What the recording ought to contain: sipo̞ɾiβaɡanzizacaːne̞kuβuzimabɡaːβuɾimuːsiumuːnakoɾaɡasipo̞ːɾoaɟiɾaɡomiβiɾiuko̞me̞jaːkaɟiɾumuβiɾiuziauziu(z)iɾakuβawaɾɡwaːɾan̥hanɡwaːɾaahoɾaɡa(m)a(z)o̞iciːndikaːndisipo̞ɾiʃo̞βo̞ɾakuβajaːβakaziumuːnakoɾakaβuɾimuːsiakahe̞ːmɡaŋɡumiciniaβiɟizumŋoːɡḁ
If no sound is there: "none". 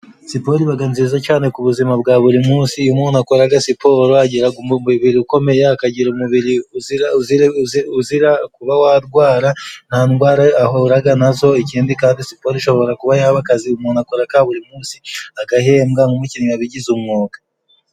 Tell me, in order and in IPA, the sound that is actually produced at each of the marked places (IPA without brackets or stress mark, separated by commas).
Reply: z, n, z